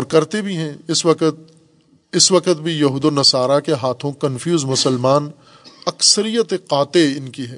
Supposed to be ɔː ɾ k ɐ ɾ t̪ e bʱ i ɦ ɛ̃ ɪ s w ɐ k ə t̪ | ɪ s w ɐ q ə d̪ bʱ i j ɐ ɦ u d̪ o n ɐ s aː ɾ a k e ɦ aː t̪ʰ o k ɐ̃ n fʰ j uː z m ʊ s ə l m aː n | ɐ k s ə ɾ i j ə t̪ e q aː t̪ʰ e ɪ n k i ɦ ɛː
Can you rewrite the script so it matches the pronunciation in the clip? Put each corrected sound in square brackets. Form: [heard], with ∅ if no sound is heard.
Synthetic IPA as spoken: ɔː ɾ k ɐ ɾ t̪ e bʱ i ɦ ɛ̃ ɪ s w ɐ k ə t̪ | ɪ s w ɐ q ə [t̪] bʱ i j ɐ ɦ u d̪ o n ɐ s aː ɾ a k e ɦ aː t̪ʰ [õ] k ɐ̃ n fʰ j uː z m ʊ s ə l m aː n | ɐ k s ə ɾ i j ə t̪ e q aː [t̪] e ɪ n k i ɦ ɛː